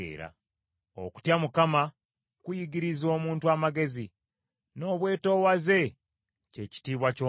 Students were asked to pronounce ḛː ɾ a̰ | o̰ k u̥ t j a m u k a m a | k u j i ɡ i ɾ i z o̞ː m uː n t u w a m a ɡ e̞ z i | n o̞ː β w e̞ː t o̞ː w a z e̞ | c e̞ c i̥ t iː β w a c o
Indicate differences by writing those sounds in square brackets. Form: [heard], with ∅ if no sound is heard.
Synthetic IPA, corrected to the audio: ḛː ɾ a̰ | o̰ k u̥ t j a m u k a m a | k u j i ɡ i ɾ i z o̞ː m uː n t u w a m a ɡ e̞ z i | n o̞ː β w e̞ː t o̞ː w a z e̞ | c e̞ c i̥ t iː β w a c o

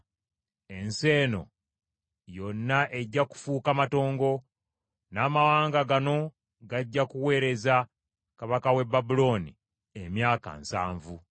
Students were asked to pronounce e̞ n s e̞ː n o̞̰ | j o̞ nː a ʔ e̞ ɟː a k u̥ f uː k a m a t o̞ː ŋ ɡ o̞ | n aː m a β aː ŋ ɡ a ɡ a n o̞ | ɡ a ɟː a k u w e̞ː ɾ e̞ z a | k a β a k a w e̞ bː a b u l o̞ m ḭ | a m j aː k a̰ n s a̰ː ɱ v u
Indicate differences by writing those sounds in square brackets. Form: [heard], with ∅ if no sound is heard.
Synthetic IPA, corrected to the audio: e̞ n s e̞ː n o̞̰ | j o̞ nː a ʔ e̞ ɟː a k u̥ f uː k a m a t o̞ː ŋ ɡ o̞ | n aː m a [w] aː ŋ ɡ a ɡ a n o̞ | ɡ a ɟː a k u w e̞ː ɾ e̞ z a | k a β a k a w e̞ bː a b u l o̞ [n] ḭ | [e] m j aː k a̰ n s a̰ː ɱ v u

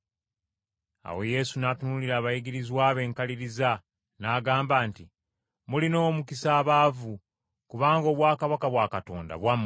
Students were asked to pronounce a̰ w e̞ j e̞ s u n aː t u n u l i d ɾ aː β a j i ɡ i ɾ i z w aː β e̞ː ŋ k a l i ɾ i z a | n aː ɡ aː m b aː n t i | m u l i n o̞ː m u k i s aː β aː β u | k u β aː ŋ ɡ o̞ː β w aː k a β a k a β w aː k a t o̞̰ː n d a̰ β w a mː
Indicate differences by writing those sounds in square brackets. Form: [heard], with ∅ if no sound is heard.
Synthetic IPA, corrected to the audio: a̰ w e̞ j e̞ s u n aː t u n u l i [∅] ɾ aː β a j i ɡ i ɾ i z w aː β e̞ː ŋ k a l i ɾ i z a | n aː ɡ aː m b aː n t i | m u l i n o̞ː m u k i s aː β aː [v] u | k u β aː ŋ ɡ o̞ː β w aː k a β a k a β w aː k a t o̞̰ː n d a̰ β w a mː

